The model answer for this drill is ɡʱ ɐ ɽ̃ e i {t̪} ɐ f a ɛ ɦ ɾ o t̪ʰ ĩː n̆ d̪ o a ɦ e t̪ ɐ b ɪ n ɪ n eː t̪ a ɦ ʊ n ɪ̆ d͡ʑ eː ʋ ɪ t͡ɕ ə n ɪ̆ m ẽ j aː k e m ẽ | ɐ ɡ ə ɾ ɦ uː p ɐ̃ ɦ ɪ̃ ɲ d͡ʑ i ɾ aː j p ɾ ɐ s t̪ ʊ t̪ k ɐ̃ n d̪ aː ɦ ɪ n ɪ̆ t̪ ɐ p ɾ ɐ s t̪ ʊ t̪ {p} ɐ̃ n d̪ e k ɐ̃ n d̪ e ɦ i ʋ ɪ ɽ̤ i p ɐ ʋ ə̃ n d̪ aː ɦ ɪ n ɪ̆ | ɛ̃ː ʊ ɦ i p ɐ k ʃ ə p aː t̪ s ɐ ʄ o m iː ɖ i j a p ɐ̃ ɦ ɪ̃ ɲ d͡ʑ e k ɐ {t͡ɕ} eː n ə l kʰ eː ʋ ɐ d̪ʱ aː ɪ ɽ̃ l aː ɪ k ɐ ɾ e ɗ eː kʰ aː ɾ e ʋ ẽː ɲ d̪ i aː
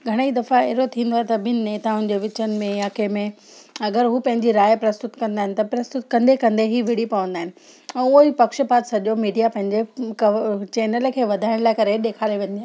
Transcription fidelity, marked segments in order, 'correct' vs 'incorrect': incorrect, incorrect, correct

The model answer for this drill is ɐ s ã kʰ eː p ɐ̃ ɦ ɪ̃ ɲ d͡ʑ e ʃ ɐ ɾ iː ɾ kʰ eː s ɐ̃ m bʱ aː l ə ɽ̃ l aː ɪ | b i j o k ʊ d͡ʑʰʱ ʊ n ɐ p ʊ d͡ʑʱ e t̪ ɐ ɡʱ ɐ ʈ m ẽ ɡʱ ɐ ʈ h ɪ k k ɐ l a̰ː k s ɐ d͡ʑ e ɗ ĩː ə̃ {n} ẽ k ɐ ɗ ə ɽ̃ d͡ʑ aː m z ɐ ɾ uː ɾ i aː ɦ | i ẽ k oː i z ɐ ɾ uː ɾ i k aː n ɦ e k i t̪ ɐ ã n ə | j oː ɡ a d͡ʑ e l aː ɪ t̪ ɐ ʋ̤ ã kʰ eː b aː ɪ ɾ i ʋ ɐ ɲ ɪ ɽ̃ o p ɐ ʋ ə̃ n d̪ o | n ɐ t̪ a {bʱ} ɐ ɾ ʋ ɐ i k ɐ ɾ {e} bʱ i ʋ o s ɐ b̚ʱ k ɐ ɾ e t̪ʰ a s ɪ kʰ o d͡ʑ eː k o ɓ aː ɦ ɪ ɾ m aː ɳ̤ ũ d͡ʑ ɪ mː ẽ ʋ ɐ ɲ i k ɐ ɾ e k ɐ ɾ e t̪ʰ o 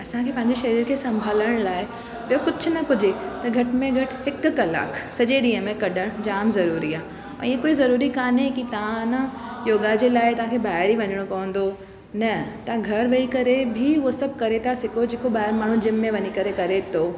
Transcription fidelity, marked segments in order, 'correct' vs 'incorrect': incorrect, incorrect, correct

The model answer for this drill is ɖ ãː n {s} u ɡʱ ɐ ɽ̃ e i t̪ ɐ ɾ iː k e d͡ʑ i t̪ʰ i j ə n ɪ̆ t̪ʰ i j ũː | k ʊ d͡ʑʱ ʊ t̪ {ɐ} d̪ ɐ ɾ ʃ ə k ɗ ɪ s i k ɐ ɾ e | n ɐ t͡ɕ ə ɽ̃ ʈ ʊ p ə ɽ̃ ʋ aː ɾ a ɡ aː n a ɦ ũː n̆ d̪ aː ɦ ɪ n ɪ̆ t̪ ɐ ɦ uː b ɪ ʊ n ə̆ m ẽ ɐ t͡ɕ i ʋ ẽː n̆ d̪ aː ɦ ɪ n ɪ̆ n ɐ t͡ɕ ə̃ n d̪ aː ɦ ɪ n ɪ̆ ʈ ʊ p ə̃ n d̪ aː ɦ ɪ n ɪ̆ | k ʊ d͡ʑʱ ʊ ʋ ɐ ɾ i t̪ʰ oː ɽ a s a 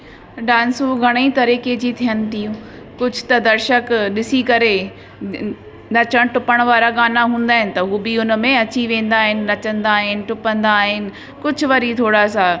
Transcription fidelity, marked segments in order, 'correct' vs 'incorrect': correct, correct

